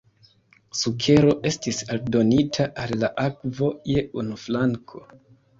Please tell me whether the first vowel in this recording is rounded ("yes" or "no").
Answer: yes